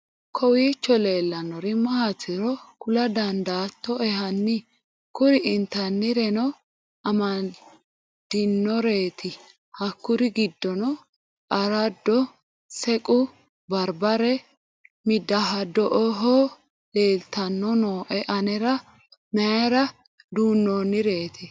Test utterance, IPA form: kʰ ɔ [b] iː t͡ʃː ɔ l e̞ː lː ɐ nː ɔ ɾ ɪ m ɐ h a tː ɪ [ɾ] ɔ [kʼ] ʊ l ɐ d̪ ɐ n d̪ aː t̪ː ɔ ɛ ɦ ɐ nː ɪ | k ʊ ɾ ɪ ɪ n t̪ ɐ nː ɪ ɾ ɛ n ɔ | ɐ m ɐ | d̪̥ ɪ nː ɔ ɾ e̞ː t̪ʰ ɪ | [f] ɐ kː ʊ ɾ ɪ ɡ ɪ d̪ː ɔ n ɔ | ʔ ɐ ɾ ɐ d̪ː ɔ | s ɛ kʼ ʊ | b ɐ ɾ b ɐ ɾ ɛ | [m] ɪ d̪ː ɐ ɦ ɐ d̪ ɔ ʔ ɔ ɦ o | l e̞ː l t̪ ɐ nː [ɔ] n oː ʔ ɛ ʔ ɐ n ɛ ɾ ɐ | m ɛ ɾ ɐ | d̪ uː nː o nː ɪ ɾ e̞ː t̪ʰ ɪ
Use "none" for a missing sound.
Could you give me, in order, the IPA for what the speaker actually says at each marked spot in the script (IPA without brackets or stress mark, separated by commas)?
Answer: w, ɾ, k, h, m, ɔ